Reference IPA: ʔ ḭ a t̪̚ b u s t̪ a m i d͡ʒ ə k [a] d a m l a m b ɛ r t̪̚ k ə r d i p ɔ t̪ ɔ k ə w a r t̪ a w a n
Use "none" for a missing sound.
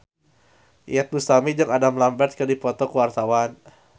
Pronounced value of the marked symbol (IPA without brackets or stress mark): a